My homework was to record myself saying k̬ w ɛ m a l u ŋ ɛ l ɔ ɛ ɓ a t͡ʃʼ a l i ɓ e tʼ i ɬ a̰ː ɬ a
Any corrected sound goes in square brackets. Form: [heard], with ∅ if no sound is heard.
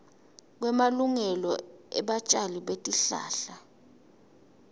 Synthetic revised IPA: k̬ w ɛ m a l u ŋ ɛ l ɔ ɛ ɓ a t͡ʃʼ a l i ɓ e tʼ i ɬ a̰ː ɬ a

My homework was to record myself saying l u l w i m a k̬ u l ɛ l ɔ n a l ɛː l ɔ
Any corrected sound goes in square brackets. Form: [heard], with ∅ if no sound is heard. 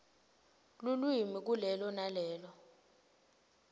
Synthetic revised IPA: l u l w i m [i] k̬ u l ɛ l ɔ n a l ɛː l ɔ

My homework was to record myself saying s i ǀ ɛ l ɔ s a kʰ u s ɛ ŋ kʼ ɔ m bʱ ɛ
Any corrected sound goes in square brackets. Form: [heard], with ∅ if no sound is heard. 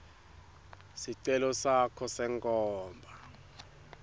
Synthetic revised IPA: s i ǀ ɛ l ɔ s a kʰ [ɔ] s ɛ ŋ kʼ [ɔː] m bʱ [a]

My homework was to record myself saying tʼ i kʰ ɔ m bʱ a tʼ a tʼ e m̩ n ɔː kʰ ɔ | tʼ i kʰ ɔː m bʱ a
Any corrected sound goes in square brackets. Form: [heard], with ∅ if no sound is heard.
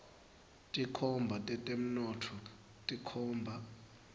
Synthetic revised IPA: tʼ i kʰ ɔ m bʱ a tʼ [ɛ] tʼ e m̩ n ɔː [tʰ] ɔ | tʼ i kʰ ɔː m bʱ a

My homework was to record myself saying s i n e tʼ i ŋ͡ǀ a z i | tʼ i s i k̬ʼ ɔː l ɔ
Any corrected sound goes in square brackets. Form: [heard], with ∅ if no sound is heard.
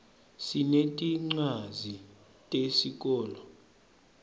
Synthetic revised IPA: s i n e tʼ i ŋ͡ǀ a z i | tʼ [e] s i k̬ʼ ɔː l ɔ

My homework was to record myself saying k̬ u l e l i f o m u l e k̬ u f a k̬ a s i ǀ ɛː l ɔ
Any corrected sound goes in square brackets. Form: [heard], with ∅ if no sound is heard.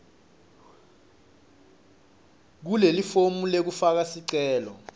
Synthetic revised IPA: k̬ u l e l i f o m u l e k̬ u f a k̬ a s i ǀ ɛː l ɔ

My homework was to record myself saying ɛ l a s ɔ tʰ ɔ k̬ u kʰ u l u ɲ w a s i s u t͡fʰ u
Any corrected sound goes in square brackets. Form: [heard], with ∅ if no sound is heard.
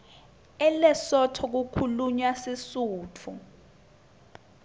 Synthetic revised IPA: ɛ l [ɛ] s ɔ tʰ ɔ k̬ u kʰ u l u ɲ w a s i s [uː] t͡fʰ u

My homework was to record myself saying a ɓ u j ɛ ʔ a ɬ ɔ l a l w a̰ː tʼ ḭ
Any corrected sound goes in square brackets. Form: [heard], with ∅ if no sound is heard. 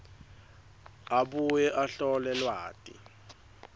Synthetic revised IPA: a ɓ u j ɛ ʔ a ɬ ɔ l [ɛ] l w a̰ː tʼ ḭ

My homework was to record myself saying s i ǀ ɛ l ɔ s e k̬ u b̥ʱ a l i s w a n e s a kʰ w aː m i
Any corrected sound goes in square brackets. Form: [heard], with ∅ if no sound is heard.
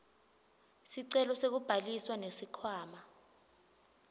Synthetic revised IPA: s i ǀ ɛ l ɔ s e k̬ u b̥ʱ a l i s w a n e s [i] kʰ w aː m [a]

